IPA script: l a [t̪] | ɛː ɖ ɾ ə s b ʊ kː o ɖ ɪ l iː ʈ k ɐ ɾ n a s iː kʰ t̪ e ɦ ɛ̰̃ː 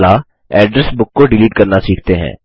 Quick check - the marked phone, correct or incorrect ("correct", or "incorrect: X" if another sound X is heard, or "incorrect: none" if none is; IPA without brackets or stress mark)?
incorrect: none